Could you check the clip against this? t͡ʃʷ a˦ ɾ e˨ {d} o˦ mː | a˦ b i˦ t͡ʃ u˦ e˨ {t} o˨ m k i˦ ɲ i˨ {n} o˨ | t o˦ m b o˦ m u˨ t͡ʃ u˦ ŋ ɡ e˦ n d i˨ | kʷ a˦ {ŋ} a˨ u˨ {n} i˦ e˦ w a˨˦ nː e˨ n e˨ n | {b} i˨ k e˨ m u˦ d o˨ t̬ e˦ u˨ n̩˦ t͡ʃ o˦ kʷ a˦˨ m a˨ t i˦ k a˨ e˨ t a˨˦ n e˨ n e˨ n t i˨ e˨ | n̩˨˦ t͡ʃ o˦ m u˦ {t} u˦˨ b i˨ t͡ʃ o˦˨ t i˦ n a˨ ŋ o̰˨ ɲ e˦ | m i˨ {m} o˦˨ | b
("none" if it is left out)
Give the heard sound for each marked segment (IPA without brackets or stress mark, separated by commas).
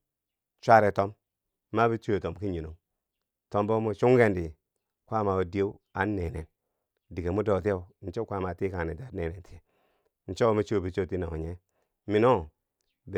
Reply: t, t, n, m, d, d, t͡ʃ, n